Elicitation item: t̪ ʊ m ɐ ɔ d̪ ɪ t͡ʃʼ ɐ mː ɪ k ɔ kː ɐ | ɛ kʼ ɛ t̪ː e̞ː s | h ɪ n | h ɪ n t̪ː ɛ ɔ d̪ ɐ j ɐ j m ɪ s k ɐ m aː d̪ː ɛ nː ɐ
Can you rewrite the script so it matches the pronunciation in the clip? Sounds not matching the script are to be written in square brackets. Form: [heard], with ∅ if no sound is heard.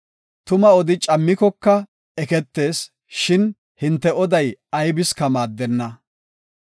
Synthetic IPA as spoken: t̪ ʊ m ɐ ɔ d̪ ɪ t͡ʃʼ ɐ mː ɪ k ɔ kː ɐ | ɛ [k] ɛ t̪ː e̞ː s | [ʃ] ɪ n | h ɪ n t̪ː ɛ ɔ d̪ ɐ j ɐ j [b] ɪ s k ɐ m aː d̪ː ɛ nː ɐ